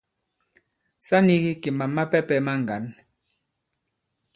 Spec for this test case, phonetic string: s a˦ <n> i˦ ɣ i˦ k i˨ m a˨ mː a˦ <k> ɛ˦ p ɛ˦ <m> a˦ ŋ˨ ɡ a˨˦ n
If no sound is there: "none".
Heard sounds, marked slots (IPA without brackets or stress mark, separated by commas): n, p, m